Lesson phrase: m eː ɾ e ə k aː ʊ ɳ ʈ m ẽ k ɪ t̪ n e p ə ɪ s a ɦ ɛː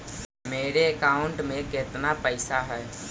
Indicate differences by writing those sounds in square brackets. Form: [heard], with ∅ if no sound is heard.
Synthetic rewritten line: m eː ɾ e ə k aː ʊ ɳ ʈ m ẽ k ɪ t̪ n [a] p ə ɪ s a ɦ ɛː